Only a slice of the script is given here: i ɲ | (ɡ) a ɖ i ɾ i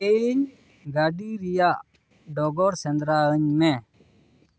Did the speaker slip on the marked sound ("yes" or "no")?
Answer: no